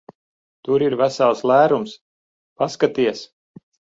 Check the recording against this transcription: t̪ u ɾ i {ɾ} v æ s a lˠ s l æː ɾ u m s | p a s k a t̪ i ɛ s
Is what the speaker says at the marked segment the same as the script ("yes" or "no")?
yes